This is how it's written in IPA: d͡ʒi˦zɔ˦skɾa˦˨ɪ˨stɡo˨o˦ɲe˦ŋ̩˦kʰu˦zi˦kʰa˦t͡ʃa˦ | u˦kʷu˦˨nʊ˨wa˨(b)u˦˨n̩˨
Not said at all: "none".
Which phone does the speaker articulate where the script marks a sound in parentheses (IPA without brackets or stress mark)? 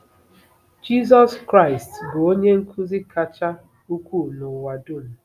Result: d